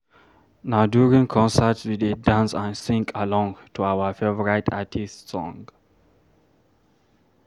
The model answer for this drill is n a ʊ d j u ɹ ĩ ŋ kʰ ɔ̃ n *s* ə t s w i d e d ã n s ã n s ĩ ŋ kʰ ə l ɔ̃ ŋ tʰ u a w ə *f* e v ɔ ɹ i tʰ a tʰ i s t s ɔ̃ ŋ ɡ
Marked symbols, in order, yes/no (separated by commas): yes, yes